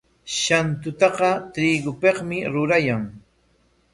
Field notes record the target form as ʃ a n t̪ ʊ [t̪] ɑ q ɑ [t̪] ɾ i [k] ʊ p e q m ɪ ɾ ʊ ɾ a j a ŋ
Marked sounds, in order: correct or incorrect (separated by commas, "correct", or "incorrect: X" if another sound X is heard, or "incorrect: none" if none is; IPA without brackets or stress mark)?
correct, correct, incorrect: ɡ